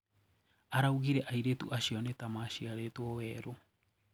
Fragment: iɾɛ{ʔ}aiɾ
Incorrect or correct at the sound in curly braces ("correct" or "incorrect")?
correct